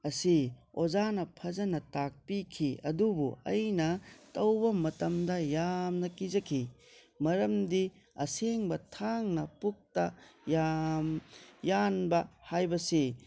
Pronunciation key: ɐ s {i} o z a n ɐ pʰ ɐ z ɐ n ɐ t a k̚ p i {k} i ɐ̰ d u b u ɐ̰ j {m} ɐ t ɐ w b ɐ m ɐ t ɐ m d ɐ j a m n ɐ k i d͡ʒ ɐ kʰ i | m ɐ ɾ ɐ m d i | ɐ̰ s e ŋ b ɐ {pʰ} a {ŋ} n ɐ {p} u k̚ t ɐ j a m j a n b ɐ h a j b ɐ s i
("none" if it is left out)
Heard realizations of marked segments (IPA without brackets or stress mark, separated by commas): i, kʰ, n, tʰ, ŋ, p